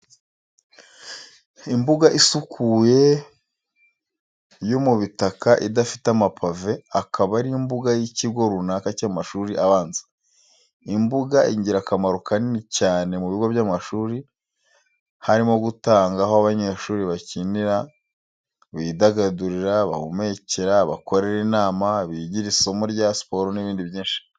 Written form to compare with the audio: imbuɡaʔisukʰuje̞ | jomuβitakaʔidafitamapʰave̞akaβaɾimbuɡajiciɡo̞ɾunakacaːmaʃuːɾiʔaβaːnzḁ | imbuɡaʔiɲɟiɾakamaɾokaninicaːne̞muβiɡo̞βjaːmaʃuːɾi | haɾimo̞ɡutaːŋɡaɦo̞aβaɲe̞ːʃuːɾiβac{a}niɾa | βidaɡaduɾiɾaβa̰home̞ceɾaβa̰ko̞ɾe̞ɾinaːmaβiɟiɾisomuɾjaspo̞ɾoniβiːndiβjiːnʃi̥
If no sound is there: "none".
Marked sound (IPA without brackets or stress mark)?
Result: i